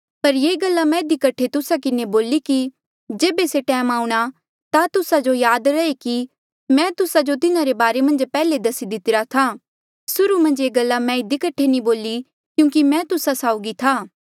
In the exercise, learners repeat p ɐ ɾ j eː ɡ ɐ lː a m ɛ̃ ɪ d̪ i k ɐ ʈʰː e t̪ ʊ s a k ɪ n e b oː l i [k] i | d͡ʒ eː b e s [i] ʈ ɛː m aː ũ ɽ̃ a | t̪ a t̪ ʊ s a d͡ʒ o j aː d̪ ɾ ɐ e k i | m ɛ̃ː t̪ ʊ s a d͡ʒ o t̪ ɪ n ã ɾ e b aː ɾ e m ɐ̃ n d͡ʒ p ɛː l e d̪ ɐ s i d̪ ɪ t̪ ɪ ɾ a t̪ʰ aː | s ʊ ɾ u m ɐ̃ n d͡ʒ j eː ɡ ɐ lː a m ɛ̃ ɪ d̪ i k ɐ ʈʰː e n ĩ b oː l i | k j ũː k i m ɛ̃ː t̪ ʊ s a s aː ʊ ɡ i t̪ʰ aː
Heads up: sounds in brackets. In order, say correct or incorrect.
correct, incorrect: e

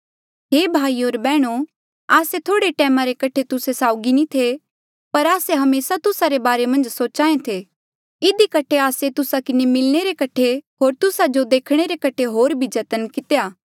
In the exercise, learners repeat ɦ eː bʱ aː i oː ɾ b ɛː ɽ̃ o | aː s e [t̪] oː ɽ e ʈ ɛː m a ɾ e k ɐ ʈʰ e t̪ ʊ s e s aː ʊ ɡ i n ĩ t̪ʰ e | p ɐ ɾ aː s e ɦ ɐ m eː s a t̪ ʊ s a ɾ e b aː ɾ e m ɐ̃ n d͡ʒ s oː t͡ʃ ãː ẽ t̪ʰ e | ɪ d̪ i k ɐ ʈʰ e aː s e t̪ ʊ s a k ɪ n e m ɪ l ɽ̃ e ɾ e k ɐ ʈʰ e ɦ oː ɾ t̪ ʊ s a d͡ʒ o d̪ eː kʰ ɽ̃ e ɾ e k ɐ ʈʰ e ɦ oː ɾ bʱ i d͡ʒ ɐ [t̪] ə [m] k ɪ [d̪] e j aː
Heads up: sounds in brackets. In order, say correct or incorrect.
incorrect: t̪ʰ, correct, incorrect: n, incorrect: t̪

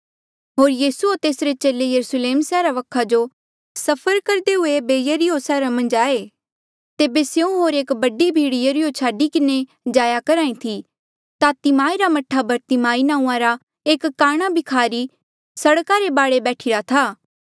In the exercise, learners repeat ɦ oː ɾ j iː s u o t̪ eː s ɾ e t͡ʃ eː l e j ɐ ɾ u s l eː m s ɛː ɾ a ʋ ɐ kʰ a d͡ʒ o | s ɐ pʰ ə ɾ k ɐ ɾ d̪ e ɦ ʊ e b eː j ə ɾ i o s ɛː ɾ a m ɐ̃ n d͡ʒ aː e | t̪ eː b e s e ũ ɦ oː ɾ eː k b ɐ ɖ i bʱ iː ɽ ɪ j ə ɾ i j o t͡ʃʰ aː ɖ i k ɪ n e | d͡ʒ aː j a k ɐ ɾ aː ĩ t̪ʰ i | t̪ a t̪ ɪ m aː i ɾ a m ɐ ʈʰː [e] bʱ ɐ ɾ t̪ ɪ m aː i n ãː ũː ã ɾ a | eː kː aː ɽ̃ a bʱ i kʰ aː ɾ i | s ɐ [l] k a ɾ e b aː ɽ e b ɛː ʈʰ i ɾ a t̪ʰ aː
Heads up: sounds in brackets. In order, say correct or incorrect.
incorrect: a, incorrect: ɽ

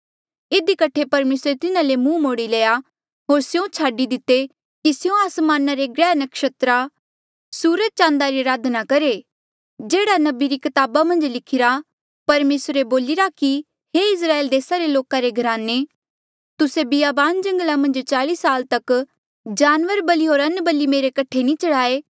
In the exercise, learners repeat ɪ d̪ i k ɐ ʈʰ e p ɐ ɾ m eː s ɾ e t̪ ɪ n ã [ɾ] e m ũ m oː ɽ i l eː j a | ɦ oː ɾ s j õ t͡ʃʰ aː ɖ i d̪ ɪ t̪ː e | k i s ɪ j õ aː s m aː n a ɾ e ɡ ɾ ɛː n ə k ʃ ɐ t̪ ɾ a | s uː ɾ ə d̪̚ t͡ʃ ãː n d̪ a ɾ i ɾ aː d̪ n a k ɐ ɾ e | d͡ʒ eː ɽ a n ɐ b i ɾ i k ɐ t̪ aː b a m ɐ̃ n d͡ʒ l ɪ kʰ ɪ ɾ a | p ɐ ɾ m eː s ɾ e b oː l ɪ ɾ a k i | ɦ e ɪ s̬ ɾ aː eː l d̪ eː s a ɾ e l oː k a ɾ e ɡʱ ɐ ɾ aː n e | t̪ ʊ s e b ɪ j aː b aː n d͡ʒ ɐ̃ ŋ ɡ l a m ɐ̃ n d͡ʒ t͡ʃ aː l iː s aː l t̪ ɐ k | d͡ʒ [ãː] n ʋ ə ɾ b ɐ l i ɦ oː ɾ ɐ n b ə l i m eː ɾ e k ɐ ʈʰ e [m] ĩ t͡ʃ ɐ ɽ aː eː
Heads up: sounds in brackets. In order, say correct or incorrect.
incorrect: l, incorrect: aː, incorrect: n

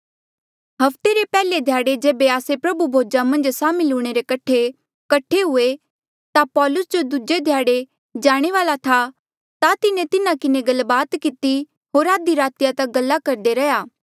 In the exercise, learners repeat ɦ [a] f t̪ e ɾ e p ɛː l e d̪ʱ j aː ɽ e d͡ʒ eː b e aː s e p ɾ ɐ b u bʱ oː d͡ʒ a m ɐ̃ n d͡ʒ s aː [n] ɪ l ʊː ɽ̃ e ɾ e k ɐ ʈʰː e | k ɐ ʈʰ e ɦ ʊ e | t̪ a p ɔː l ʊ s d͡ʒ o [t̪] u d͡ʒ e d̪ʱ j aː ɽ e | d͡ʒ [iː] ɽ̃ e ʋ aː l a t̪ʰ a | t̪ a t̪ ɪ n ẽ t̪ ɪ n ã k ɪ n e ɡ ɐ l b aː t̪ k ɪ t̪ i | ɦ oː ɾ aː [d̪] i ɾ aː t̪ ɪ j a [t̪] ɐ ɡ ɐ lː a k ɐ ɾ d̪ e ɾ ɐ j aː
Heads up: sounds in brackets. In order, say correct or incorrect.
incorrect: ɐ, incorrect: m, incorrect: d̪, incorrect: aː, correct, correct

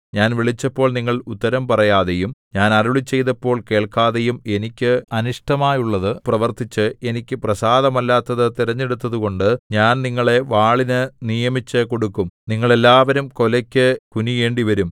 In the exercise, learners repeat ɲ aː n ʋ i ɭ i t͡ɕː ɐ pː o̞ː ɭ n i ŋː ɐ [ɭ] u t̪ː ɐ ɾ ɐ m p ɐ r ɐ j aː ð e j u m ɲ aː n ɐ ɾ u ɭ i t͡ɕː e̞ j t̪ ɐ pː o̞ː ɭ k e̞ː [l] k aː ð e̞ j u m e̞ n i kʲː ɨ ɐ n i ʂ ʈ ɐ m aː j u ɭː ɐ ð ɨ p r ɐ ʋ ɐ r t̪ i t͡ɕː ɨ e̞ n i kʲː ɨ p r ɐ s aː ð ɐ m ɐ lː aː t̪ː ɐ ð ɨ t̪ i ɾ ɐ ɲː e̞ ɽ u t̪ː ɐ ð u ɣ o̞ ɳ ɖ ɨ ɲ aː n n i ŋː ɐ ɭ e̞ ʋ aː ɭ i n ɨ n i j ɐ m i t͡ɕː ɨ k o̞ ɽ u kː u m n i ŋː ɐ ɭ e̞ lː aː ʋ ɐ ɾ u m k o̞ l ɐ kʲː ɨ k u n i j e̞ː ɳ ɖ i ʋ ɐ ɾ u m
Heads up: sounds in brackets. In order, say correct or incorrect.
correct, incorrect: ɭ

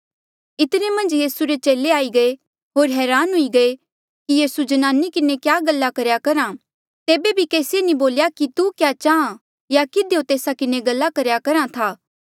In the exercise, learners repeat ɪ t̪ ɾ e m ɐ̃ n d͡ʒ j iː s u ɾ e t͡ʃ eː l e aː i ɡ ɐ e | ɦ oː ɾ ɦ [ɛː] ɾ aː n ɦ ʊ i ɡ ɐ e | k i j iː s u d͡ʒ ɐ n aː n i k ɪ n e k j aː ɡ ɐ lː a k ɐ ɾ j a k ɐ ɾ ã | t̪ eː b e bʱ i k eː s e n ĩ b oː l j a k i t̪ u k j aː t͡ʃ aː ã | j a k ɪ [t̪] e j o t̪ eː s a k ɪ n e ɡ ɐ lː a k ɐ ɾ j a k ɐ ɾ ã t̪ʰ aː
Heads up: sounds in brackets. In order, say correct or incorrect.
correct, incorrect: d̪

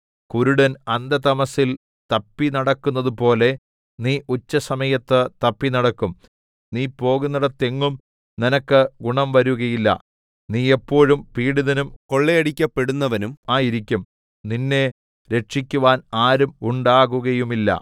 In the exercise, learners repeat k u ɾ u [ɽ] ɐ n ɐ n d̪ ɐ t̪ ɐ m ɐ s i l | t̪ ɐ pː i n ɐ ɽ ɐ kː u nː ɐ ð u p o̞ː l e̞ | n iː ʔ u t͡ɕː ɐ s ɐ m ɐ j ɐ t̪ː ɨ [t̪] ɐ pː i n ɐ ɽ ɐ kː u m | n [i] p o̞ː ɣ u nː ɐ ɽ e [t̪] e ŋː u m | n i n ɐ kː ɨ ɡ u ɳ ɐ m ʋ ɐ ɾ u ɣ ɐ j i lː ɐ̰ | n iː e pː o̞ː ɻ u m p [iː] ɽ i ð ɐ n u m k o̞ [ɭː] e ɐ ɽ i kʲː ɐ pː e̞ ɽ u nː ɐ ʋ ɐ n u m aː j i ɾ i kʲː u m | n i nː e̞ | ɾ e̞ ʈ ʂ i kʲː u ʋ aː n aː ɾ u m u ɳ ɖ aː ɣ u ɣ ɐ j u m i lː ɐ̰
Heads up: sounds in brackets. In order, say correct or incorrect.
correct, correct, incorrect: iː, correct, correct, correct

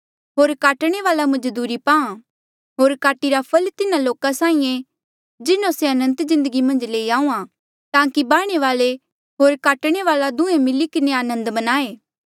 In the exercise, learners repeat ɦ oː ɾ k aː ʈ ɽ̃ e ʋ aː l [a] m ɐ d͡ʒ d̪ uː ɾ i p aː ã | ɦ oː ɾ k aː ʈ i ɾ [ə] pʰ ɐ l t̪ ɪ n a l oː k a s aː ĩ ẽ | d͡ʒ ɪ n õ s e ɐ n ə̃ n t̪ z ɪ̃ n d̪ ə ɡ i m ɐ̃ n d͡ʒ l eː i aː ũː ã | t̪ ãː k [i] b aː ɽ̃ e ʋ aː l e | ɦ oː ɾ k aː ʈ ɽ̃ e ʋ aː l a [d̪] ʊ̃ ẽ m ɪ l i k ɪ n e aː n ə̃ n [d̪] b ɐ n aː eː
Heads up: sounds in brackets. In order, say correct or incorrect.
correct, incorrect: a, correct, correct, correct

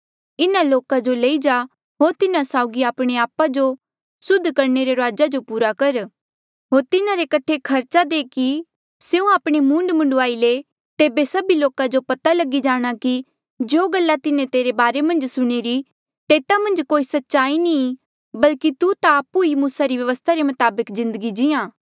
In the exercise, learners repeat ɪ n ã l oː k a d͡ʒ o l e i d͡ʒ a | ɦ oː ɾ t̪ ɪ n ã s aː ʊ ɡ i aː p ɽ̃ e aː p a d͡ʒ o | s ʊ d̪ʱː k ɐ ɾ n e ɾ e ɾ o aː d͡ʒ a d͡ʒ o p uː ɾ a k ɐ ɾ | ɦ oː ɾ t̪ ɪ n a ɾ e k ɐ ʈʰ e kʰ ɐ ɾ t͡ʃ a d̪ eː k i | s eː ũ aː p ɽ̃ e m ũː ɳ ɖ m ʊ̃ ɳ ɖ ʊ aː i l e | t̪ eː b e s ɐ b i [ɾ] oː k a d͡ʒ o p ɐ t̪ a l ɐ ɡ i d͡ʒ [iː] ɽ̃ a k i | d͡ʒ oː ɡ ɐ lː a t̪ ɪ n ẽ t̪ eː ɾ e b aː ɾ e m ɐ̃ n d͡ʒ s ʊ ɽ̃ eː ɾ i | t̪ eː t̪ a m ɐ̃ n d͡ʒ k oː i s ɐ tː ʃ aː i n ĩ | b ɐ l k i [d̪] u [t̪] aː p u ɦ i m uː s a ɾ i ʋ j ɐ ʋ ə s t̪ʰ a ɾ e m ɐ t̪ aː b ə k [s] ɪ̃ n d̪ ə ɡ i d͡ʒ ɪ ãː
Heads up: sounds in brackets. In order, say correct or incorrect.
incorrect: l, incorrect: aː, incorrect: t̪, correct, incorrect: z

